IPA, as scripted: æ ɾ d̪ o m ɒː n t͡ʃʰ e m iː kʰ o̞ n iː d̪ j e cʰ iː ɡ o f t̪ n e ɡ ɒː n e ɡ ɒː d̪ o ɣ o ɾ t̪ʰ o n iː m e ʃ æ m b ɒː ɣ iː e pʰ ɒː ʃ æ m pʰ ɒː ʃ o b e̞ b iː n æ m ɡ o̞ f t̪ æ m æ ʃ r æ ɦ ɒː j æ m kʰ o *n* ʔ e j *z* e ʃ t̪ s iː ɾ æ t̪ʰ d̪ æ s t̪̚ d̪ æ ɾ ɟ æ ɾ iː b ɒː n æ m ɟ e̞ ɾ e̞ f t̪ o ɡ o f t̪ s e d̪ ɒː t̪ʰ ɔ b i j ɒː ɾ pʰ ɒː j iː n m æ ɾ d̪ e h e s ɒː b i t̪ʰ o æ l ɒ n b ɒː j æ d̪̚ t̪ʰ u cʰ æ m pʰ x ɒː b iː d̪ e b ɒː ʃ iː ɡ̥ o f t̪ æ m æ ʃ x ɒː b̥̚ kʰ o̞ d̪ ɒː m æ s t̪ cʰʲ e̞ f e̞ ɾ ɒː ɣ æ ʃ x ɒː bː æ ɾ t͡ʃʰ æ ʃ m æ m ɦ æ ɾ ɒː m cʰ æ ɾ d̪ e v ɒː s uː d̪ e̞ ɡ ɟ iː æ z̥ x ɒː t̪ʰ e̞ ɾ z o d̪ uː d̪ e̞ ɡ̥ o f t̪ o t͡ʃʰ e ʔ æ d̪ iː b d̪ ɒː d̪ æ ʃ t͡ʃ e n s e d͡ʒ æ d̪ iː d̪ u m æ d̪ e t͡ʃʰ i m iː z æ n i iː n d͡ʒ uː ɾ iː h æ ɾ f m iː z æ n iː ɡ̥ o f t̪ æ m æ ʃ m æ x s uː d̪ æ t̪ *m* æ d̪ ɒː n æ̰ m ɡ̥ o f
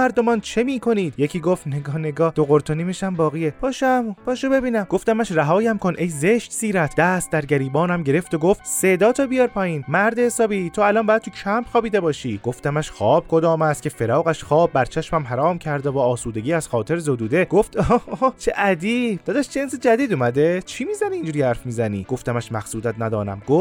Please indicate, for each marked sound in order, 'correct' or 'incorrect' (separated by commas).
correct, correct, incorrect